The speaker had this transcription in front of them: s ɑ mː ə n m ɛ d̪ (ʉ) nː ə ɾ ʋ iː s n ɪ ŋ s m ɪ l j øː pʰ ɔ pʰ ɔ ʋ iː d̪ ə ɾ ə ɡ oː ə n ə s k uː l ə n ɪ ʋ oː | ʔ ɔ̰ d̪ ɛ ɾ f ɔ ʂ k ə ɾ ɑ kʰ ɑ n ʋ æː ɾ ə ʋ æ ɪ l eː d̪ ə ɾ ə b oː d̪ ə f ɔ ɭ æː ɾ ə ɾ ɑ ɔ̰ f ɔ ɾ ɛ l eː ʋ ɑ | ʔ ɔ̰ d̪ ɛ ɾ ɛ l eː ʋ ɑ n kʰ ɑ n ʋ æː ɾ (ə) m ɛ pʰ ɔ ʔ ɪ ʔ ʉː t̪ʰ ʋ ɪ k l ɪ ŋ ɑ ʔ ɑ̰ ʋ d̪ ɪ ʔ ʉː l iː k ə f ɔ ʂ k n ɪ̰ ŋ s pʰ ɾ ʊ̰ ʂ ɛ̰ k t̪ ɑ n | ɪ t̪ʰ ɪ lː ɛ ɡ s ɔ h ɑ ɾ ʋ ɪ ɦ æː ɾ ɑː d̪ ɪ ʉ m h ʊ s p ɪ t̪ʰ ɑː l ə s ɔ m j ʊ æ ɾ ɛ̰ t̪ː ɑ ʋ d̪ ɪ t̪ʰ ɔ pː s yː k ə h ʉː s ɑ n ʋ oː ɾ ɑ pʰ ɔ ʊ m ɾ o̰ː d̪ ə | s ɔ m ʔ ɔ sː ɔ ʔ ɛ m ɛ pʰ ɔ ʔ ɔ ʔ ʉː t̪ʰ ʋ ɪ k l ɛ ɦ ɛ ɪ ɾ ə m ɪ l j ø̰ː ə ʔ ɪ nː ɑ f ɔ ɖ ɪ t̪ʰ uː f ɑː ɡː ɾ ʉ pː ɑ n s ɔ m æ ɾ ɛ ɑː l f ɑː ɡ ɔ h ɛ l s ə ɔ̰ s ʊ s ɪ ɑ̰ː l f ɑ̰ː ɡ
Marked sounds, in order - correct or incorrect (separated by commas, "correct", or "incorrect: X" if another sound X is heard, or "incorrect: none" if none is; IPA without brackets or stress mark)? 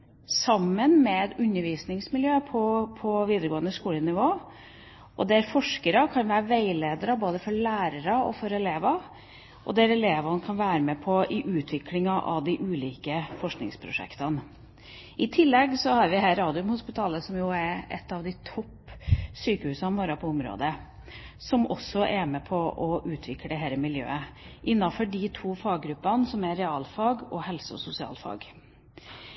correct, correct